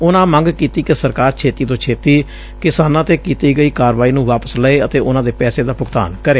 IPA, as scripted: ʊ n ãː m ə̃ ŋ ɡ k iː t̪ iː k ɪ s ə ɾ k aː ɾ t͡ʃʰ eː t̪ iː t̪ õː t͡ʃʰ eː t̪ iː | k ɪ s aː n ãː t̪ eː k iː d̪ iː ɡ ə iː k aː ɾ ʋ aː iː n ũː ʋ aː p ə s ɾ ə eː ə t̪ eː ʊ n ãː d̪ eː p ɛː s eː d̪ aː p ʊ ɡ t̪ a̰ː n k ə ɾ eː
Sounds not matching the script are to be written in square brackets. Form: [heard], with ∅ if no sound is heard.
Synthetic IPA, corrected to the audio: ʊ n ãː m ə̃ ŋ ɡ k iː t̪ iː k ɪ s ə ɾ k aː ɾ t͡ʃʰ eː t̪ iː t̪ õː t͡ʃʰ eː t̪ iː | k ɪ s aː n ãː t̪ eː k iː [t̪] iː ɡ ə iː k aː ɾ ʋ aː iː n ũː ʋ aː p ə s [l] ə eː ə t̪ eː ʊ n ãː d̪ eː p ɛː s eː d̪ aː p ʊ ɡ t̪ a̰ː n k ə ɾ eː